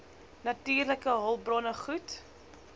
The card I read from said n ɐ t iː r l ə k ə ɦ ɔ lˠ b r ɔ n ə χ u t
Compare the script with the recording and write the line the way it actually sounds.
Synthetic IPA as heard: n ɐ t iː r l ə k ə ɦ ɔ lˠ b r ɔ n ə χ u t